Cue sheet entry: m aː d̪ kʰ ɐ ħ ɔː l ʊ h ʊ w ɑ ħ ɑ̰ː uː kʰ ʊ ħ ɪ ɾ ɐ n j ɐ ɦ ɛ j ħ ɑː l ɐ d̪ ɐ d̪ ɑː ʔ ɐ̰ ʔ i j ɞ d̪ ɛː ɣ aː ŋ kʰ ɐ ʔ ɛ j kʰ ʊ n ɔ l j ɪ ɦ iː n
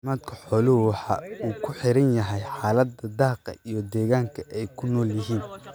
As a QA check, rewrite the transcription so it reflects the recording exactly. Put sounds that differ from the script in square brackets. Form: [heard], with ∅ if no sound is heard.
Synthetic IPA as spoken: m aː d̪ kʰ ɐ ħ ɔː l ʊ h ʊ w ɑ ħ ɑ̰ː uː kʰ ʊ ħ ɪ ɾ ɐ n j ɐ ɦ ɛ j ħ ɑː l ɐ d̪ ɐ d̪ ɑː [q] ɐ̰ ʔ i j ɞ d̪ ɛː ɣ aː ŋ kʰ ɐ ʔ ɛ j kʰ ʊ n [ɔː] l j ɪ ɦ iː n